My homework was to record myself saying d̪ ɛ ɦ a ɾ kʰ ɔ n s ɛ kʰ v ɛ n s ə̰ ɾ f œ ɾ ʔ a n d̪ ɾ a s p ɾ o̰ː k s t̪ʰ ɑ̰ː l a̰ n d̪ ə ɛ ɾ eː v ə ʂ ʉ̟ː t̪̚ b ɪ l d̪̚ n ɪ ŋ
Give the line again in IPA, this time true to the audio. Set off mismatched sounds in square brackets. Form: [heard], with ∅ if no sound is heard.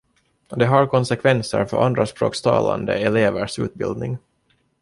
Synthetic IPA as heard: d̪ ɛ ɦ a ɾ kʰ ɔ n s ɛ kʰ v ɛ n s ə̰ ɾ f œ ɾ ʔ a n d̪ ɾ a s p ɾ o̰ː k s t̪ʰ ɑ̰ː l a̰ n d̪ ə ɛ [l] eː v ə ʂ ʉ̟ː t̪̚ b ɪ l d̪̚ n ɪ ŋ